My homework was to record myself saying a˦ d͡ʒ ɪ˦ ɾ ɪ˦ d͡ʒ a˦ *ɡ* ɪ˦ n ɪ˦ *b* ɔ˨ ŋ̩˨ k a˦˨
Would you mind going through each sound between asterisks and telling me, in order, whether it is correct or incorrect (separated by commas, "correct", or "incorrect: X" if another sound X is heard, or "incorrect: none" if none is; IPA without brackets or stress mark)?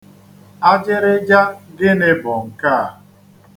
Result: correct, correct